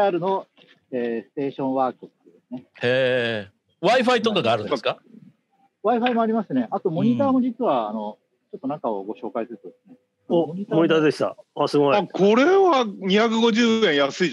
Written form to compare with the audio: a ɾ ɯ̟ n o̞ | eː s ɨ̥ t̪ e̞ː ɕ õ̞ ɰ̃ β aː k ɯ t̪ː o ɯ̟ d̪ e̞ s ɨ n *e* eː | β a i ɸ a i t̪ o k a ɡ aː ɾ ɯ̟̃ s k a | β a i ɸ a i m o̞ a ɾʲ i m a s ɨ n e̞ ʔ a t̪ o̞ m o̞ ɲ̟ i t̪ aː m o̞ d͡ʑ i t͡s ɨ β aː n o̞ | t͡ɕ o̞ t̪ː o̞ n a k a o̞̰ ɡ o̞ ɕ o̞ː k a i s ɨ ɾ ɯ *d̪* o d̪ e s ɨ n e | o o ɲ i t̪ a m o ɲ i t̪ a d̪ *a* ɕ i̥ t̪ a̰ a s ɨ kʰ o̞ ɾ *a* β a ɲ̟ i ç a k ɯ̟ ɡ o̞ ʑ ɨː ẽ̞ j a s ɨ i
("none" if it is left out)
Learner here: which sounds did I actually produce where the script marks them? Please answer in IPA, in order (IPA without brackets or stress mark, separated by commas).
e, t̪, e, e